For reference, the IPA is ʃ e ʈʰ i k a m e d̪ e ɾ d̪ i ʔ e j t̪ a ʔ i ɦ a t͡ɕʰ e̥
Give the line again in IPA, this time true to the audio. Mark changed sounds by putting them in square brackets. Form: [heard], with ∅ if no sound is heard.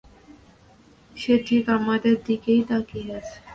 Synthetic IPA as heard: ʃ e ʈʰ i k a m [a] d̪ e ɾ d̪ i [k] e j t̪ a [k] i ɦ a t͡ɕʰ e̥